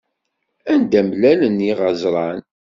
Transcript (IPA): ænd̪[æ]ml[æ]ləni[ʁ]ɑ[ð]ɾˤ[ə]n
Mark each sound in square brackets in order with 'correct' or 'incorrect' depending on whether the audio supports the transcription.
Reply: correct, correct, correct, incorrect: z, incorrect: ɑ

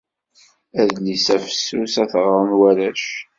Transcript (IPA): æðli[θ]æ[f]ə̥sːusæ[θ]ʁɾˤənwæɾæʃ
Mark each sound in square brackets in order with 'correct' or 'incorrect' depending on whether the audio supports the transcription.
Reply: incorrect: s, correct, correct

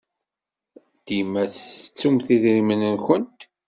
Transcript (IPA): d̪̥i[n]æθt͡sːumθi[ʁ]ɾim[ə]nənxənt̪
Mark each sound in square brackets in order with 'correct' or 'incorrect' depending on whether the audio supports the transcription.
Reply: incorrect: m, incorrect: ð, correct

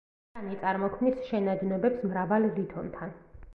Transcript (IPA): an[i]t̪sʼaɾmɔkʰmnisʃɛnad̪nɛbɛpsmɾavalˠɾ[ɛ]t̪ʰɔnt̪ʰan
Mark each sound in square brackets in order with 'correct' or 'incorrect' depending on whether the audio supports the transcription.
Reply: correct, incorrect: i

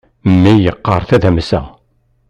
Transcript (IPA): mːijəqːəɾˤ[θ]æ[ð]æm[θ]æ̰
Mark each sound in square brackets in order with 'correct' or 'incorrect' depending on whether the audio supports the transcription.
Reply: correct, correct, incorrect: s

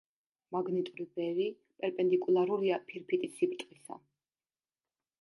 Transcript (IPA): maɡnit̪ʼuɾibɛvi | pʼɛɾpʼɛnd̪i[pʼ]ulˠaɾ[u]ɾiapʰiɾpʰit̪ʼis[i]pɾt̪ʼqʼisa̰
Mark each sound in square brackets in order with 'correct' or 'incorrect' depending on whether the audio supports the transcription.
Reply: incorrect: kʼ, correct, correct

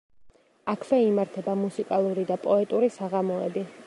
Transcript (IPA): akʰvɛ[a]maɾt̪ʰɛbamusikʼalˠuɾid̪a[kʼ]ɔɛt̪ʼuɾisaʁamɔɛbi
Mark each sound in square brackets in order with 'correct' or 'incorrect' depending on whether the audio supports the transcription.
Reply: incorrect: i, incorrect: pʼ

